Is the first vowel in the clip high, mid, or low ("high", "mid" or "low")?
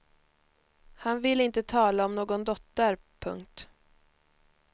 low